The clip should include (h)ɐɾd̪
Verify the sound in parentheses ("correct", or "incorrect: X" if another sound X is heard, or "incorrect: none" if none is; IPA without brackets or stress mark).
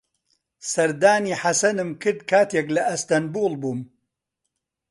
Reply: incorrect: s